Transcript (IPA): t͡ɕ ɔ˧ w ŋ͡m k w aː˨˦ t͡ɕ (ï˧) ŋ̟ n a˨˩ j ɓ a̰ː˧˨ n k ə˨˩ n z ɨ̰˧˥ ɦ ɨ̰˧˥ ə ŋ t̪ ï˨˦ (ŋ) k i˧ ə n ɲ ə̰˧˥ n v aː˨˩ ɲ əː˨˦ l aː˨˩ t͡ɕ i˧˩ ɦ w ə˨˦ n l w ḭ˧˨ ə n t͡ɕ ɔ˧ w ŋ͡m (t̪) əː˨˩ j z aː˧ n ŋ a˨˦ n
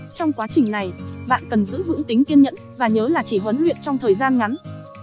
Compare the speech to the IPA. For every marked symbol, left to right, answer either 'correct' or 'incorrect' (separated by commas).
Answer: incorrect, correct, incorrect